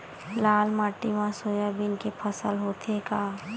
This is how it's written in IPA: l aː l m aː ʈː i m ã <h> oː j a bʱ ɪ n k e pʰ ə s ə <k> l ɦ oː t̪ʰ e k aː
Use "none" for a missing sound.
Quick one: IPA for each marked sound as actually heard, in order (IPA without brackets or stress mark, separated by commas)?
s, none